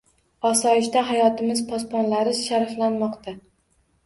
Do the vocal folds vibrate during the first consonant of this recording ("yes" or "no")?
no